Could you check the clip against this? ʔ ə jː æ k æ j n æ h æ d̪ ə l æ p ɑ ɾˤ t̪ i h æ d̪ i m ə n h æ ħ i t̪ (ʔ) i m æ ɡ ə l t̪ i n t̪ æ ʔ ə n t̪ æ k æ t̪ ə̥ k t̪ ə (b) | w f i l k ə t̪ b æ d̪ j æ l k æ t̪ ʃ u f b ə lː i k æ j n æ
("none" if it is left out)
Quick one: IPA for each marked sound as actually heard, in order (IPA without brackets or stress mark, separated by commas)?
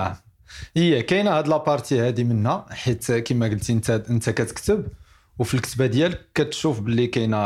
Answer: k, b